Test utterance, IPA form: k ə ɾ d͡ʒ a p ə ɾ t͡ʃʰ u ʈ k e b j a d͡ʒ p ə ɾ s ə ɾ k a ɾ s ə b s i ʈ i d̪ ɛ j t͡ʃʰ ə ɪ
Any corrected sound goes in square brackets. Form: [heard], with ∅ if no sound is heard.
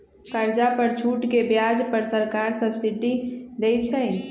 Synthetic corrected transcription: k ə ɾ d͡ʒ a p ə ɾ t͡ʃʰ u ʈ k e b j a d͡ʒ p ə ɾ s ə ɾ k a ɾ s ə b s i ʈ i d̪ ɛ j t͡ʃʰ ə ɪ